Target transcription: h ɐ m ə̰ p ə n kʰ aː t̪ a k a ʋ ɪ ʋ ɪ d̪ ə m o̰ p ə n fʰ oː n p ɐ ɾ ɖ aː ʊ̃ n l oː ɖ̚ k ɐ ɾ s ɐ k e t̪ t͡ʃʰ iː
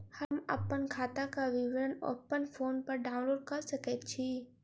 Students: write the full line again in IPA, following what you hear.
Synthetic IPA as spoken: h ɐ m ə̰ p ə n kʰ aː t̪ a k a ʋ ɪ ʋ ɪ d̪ ə n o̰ p ə n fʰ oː n p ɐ ɾ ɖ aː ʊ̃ n l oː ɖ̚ k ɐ ɾ s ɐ k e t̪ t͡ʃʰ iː

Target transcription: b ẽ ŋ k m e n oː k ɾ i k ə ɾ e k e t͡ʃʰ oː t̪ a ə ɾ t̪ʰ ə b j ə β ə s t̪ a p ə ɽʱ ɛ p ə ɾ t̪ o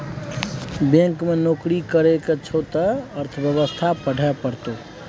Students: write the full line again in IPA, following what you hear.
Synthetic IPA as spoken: b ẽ ŋ k m e n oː k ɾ i k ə ɾ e k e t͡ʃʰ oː t̪ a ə ɾ t̪ʰ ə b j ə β ə s t̪ʰ a p ə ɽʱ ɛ p ə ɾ t̪ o

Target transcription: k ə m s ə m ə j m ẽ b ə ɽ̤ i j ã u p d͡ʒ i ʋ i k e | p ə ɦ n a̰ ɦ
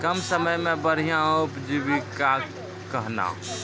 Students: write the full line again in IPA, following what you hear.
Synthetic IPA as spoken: k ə m s ə m ə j m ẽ b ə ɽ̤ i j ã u p d͡ʒ i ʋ i k a | k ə ɦ n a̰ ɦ

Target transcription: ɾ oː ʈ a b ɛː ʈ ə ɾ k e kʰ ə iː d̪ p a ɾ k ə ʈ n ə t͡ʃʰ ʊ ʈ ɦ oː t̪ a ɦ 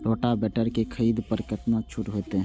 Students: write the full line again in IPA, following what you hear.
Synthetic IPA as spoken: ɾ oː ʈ a b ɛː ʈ ə ɾ k e kʰ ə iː d̪ p ə ɾ k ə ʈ n a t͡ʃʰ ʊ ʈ ɦ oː t̪ e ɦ

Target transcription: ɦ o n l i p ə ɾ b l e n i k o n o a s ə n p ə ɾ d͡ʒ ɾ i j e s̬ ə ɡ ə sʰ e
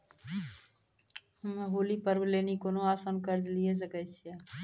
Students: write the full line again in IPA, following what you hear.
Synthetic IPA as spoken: ɦ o l i p ə ɾ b l e n i k o n o a s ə n k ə ɾ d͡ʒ l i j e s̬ ə k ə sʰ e

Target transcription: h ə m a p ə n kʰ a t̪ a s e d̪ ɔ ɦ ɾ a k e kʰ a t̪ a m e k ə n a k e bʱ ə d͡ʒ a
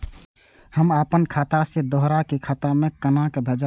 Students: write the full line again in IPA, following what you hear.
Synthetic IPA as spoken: h ə m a p ə n kʰ a t̪ a s e d̪ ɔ ɦ ɾ a k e kʰ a t̪ a m e k ə n a k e bʱ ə d͡ʒ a

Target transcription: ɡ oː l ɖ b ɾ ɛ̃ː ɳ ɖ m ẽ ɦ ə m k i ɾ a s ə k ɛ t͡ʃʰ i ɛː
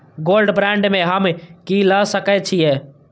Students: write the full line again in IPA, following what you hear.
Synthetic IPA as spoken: ɡ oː l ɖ b ɾ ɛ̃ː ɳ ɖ m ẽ ɦ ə m k i l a s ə k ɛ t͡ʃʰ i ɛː

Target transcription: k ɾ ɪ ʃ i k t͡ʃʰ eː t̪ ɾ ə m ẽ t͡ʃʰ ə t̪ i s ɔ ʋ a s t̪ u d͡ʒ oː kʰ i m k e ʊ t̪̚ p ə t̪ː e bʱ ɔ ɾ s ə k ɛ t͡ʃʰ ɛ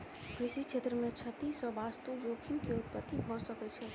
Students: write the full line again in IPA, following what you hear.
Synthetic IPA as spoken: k ɾ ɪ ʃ i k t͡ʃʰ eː t̪ ɾ ə m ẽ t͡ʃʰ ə t̪ i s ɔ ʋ a s t̪ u d͡ʒ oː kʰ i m k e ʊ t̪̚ p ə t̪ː i bʱ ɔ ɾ s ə k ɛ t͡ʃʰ ɛ

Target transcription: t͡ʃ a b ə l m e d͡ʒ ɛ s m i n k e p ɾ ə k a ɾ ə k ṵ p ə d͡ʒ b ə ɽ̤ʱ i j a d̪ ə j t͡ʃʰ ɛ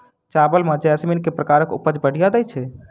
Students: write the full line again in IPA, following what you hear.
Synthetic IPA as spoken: t͡ʃ a b ə l m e d͡ʒ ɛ s m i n k e p ɾ ə k a ɾ ə k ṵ p ə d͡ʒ b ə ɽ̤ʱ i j a d̪ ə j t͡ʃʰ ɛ

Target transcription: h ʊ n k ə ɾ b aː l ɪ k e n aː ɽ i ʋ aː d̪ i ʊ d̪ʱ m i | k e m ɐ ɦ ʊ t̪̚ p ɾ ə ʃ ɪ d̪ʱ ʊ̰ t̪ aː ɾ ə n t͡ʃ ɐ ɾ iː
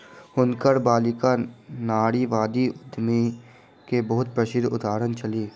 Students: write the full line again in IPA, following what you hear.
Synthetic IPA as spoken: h ʊ n k ə ɾ b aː l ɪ k a n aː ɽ i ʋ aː d̪ i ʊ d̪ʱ m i | k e b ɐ ɦ ʊ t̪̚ p ɾ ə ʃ ɪ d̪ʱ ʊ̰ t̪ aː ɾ ə n t͡ʃ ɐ l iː

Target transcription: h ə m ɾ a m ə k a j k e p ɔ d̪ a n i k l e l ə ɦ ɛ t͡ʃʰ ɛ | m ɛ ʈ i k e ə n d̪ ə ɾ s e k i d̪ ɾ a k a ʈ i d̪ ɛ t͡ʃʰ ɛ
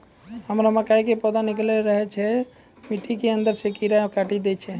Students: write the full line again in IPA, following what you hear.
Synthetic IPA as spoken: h ə m ɾ a m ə k a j k e p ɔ d̪ a n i k l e ɾ ə ɦ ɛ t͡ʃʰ ɛ | m i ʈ i k e ə n d̪ ə ɾ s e k i ɾ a k a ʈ i d̪ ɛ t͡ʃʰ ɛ

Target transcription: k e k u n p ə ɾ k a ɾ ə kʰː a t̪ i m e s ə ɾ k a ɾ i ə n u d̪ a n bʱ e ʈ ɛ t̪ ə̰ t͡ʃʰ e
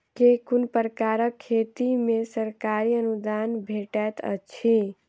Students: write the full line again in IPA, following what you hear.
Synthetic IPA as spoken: k e k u n p ə ɾ k a ɾ ə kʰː e t̪ i m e s ə ɾ k a ɾ i ə n u d̪ a n bʱ e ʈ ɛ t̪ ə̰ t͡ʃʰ i

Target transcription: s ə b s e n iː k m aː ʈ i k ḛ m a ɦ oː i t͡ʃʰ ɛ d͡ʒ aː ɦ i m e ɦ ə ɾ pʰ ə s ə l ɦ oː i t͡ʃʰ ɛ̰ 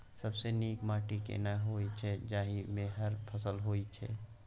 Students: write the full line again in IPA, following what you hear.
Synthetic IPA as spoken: s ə b s e n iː k m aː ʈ i k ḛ n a ɦ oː i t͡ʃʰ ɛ d͡ʒ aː ɦ i m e ɦ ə ɾ pʰ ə s ə l ɦ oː i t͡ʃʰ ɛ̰

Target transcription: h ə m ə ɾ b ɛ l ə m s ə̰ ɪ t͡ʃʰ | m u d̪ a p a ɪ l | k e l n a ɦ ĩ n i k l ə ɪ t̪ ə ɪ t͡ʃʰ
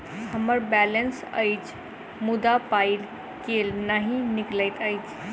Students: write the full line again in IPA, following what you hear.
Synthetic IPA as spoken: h ə m ə ɾ b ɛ l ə n s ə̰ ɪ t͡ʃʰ | m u d̪ a p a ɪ l | k e l n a ɦ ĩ n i k l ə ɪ t̪ ə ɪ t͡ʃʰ

